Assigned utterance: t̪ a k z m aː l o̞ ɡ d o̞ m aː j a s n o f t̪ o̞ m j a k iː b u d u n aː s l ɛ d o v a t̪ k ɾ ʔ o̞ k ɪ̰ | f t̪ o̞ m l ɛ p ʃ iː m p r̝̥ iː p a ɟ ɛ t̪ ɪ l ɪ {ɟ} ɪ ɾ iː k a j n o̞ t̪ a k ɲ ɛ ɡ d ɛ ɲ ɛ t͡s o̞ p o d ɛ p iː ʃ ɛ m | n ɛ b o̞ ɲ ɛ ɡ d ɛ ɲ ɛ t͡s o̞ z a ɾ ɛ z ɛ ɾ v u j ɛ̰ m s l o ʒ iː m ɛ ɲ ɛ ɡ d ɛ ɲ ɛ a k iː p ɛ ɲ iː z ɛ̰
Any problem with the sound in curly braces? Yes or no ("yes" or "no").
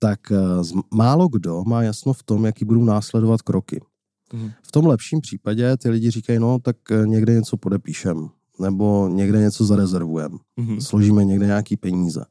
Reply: no